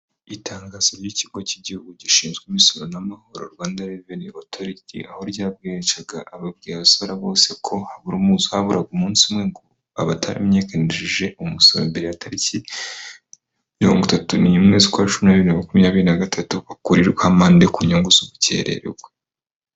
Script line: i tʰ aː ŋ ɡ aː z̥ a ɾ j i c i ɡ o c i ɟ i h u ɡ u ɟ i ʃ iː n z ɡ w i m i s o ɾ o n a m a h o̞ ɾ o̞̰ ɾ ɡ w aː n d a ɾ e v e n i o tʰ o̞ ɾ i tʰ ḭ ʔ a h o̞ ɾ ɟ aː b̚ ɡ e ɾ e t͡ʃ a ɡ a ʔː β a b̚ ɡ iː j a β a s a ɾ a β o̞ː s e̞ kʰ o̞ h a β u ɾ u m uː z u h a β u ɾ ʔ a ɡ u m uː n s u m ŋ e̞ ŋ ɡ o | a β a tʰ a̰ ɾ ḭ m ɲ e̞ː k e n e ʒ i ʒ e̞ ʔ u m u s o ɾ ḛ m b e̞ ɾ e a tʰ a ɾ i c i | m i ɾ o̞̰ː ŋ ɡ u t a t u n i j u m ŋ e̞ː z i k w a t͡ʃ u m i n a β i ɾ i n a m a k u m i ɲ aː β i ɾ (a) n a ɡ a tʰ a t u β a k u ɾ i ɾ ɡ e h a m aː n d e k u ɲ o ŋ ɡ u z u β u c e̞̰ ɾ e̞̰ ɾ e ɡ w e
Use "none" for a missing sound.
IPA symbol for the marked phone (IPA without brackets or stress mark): i